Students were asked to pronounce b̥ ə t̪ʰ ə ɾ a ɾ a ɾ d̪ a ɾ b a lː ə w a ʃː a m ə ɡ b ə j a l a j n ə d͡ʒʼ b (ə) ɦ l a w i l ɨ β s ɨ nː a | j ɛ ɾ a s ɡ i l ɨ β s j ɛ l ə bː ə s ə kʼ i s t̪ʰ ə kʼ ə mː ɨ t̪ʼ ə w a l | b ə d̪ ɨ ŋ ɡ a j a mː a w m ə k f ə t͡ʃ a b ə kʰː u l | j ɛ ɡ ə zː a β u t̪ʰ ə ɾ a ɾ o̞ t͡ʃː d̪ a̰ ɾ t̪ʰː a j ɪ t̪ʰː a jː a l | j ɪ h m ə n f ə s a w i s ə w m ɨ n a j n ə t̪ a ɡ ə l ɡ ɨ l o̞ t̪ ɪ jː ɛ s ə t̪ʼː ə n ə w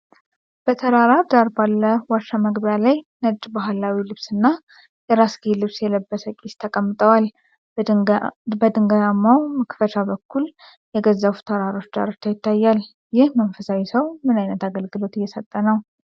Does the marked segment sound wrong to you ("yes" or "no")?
yes